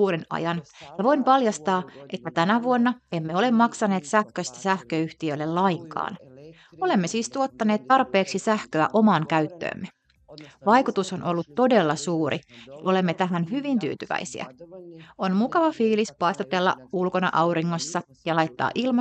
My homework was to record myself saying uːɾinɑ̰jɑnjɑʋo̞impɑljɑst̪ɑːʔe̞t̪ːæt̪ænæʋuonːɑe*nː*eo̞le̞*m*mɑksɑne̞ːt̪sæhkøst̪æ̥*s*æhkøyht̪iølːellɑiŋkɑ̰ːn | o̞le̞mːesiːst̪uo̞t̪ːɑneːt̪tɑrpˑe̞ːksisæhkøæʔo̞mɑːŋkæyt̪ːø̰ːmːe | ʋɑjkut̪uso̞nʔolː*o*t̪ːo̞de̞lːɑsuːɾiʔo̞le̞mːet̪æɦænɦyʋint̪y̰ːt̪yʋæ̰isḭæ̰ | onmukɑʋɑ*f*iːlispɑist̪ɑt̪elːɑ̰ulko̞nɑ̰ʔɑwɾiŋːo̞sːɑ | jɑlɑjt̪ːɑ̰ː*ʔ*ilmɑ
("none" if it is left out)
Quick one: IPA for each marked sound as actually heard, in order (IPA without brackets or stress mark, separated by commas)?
mː, m, s, u, f, ʔ